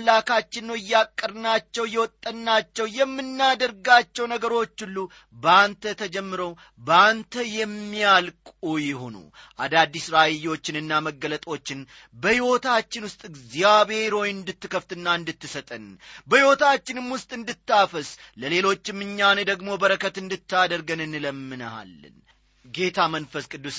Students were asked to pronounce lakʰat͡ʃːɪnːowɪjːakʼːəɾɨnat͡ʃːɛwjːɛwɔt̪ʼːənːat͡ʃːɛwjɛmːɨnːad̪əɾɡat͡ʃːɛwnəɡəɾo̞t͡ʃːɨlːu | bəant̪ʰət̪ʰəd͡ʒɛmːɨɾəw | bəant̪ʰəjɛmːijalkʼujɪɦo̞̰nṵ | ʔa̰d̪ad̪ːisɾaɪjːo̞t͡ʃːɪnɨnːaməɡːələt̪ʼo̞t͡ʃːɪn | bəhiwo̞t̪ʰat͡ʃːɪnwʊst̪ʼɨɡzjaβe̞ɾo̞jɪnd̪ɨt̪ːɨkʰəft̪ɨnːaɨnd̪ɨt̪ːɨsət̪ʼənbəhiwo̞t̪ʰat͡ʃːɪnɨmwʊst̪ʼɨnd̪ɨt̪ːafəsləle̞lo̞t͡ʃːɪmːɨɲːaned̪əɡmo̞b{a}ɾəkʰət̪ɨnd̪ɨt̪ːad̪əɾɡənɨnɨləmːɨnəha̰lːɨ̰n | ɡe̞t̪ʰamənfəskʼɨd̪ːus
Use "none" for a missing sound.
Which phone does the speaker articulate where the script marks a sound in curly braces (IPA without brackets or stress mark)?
ə